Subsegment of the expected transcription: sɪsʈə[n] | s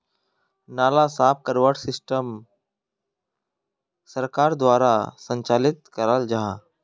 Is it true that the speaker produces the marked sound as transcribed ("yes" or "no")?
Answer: no